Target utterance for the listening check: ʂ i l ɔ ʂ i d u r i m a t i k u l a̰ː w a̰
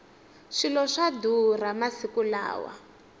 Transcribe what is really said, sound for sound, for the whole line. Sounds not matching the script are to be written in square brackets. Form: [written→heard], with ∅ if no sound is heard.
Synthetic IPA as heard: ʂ i l ɔ ʂ [i→a] d u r [i→a] m a [t→s] i k u l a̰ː w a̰